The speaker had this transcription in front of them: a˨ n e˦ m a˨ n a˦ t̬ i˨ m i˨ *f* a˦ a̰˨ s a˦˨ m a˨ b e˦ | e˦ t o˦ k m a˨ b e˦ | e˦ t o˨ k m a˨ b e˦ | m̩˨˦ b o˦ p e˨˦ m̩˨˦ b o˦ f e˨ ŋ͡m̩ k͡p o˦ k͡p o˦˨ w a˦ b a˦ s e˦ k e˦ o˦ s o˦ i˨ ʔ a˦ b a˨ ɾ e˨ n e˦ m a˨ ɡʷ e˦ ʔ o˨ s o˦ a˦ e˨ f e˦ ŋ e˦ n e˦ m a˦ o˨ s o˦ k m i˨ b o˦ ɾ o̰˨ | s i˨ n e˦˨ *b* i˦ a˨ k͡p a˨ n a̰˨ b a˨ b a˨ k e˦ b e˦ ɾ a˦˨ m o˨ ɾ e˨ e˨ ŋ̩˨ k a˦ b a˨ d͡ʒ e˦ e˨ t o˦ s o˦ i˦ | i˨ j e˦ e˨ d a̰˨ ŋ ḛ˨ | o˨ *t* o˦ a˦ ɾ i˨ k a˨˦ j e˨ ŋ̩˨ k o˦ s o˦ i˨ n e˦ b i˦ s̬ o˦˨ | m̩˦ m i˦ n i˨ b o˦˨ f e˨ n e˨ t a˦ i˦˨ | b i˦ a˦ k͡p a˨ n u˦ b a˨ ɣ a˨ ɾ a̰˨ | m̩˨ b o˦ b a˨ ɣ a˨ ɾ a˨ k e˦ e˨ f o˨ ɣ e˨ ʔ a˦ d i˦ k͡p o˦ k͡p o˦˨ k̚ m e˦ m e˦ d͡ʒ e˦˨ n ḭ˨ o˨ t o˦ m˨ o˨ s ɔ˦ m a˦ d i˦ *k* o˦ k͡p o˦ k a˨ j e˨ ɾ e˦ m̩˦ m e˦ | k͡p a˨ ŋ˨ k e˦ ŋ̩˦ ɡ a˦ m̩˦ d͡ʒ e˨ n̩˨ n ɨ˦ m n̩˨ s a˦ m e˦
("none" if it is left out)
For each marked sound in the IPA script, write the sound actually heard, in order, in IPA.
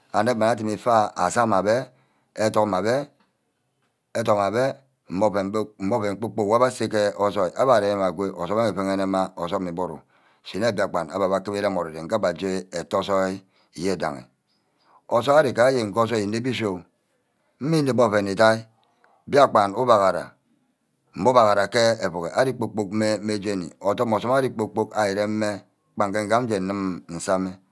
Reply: f, b, s, k͡p

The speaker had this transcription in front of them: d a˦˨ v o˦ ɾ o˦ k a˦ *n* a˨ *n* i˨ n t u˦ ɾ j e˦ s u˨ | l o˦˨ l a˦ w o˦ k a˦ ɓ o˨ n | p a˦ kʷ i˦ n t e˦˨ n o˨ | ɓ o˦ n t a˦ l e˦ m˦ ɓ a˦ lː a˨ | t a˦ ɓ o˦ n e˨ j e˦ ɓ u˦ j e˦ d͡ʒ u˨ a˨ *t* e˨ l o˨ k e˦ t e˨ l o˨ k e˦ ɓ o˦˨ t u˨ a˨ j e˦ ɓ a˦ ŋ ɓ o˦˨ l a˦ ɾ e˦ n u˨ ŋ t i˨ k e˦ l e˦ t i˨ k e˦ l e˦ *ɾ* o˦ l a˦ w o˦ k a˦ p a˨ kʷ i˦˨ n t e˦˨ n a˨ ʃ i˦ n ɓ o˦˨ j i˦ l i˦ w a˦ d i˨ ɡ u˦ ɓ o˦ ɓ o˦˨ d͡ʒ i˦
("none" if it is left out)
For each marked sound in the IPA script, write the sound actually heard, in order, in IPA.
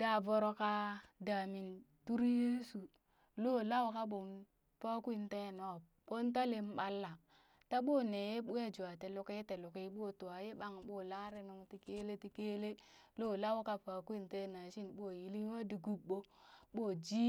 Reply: d, m, t, l

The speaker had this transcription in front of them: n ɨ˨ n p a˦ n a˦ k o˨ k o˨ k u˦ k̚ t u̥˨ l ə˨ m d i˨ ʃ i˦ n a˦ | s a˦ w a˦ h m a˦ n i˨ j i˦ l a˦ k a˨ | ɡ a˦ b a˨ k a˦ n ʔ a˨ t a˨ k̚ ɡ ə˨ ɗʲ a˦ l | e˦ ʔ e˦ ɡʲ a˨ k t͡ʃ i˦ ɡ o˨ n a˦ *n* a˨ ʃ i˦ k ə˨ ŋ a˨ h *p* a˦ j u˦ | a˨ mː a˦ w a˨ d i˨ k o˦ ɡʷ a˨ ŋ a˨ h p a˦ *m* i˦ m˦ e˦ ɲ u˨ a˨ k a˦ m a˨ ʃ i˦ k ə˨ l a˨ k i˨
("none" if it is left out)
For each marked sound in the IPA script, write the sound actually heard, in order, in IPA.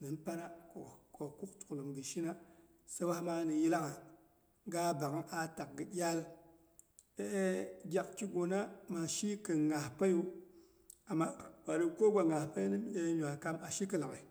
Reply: m, p, n

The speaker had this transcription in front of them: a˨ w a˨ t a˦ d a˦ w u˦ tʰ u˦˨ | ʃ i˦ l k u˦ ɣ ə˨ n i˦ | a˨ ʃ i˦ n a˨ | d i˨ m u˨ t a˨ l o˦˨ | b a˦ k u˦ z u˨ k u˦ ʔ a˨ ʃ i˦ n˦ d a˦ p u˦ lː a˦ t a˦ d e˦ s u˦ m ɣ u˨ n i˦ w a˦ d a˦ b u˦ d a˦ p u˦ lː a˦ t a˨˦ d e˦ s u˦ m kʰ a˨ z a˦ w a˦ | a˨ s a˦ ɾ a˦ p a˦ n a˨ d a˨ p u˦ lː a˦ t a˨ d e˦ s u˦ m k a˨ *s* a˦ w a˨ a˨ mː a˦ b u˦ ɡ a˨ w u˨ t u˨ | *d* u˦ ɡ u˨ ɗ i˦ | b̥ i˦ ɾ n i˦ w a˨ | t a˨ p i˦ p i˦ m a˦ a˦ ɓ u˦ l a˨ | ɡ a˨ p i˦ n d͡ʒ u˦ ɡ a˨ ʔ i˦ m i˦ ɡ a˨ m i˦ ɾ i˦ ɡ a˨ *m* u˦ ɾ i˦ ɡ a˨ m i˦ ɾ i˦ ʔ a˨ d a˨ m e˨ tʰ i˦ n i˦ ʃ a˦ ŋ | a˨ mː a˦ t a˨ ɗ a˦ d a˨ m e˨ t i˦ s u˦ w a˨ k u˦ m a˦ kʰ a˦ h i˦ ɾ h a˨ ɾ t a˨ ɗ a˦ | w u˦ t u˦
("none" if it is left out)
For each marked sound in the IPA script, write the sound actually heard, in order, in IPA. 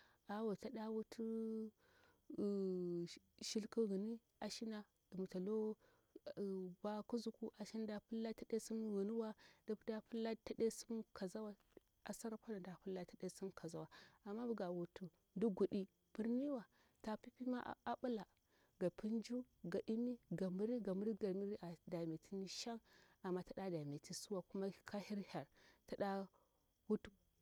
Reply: z, d, m

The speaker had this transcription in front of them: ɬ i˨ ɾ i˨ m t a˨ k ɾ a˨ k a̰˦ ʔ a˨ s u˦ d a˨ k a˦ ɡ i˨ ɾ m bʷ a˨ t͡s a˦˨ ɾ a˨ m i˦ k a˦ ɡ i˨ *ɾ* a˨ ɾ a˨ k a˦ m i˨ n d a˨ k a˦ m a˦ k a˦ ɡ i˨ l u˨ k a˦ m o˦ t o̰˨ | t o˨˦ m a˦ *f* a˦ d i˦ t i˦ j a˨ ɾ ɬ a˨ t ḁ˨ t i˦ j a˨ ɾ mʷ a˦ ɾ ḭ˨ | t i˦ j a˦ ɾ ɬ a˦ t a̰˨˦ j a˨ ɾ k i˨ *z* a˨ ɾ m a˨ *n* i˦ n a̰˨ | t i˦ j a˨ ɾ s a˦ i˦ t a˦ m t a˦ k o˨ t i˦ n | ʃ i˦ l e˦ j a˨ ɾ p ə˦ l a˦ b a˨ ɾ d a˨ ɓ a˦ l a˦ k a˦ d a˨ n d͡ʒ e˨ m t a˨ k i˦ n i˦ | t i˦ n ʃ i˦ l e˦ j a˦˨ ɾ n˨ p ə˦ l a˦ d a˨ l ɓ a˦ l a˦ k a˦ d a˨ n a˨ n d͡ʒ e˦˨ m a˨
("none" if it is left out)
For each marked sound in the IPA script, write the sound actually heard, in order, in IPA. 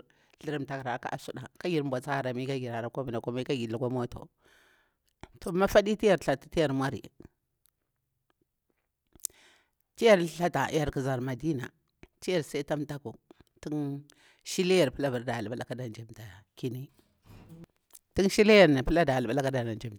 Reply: ɾ, f, z, d

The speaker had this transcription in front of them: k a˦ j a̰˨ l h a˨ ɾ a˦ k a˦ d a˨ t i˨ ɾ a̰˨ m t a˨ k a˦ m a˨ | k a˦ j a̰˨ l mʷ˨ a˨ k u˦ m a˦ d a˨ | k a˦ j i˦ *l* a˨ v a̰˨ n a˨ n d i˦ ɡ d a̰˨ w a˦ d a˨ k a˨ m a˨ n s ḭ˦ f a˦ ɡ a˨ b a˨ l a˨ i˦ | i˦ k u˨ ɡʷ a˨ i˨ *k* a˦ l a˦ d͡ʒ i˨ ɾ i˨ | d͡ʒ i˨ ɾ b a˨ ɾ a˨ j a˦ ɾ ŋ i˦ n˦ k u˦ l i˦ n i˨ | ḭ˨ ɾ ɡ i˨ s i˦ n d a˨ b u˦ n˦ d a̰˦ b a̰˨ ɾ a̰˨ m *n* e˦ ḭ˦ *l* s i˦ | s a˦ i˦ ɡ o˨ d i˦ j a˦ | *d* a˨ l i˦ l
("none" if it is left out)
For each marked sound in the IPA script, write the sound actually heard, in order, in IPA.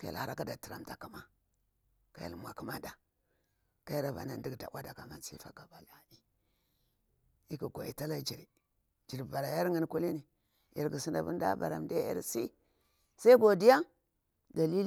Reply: ɾ, t, d, ɾ, d

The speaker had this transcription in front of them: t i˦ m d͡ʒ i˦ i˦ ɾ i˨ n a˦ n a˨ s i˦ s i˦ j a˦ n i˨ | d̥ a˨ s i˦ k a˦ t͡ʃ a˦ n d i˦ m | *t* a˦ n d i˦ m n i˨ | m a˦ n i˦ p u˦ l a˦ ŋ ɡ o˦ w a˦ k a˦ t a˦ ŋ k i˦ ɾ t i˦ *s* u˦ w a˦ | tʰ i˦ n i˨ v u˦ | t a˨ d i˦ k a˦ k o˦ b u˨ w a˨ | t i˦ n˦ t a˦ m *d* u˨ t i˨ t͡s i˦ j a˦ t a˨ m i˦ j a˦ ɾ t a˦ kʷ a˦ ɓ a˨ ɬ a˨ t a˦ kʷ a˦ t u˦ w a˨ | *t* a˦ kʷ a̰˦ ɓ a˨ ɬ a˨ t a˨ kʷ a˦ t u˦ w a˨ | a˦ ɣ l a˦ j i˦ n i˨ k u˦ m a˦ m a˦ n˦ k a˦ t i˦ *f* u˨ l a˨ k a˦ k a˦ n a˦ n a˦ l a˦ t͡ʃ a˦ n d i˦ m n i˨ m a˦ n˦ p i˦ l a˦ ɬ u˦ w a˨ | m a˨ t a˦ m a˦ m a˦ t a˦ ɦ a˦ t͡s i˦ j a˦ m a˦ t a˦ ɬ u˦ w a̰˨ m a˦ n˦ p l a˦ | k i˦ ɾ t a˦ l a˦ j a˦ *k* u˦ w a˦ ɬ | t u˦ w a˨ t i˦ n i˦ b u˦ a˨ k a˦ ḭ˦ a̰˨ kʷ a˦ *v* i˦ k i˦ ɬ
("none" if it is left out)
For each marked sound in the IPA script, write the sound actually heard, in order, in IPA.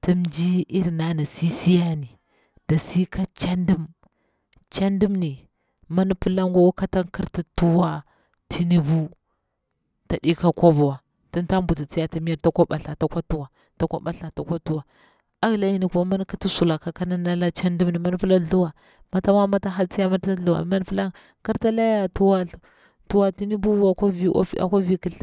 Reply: t͡ʃ, t, b, t, s, t, v

